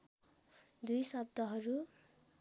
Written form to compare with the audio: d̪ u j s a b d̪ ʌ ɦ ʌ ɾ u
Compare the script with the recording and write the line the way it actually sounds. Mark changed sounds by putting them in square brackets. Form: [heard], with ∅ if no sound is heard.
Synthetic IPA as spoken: d̪ u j s [ʌ] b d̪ ʌ ɦ ʌ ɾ u